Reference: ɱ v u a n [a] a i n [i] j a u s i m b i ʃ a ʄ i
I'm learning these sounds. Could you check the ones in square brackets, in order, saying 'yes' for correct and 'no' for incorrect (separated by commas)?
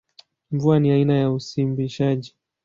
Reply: no, no